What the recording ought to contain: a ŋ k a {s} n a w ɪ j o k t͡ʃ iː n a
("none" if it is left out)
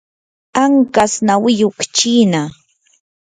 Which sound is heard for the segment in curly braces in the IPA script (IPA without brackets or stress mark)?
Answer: s